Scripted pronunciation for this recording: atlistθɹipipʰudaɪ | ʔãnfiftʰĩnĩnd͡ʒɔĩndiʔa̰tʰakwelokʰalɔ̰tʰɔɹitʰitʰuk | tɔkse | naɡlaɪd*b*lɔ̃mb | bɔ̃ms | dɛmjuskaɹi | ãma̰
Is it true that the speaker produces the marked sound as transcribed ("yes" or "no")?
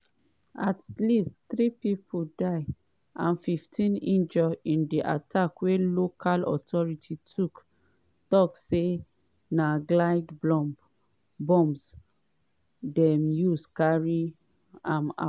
yes